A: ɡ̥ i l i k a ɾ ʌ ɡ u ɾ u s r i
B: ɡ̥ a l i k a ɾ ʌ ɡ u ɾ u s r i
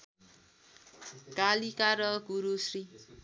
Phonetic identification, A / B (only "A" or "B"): B